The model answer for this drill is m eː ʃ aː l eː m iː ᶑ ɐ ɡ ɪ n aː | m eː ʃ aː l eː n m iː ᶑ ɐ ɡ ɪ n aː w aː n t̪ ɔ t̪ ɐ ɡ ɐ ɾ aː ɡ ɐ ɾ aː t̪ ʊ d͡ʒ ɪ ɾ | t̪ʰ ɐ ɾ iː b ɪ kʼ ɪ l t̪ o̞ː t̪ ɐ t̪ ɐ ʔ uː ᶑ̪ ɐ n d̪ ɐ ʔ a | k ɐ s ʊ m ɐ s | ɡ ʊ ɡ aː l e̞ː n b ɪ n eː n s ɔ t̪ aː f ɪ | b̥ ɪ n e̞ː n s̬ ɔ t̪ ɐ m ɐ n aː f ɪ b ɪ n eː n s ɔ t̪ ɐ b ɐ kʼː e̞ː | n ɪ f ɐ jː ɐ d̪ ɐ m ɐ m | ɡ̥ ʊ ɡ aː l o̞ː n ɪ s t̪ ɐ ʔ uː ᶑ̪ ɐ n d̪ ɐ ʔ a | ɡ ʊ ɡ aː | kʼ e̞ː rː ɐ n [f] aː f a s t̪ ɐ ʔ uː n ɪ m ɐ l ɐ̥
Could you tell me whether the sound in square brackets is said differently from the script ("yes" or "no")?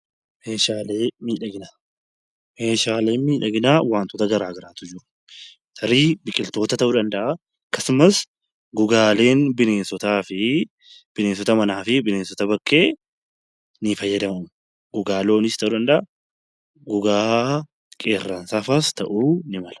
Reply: yes